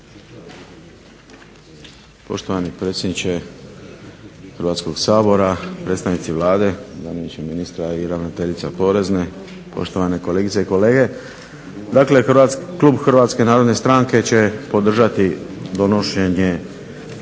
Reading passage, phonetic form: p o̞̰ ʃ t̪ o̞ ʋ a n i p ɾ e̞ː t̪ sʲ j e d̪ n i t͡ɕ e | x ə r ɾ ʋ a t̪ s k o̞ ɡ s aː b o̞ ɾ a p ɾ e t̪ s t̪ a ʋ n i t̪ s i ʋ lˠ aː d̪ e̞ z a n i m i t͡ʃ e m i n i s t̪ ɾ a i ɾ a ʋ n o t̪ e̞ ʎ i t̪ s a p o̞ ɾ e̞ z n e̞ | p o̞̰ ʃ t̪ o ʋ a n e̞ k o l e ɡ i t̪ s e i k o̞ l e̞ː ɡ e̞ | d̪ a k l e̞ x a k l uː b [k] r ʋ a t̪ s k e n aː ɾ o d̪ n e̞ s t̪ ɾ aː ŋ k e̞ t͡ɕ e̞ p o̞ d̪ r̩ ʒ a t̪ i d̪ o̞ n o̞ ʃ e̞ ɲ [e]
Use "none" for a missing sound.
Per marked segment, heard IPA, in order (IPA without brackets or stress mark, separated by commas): x, e